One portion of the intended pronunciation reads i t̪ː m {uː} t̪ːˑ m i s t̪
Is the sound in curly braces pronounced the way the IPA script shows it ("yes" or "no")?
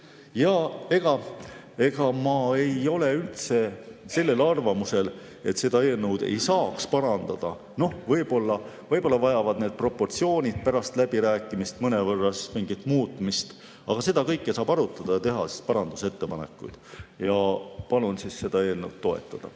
yes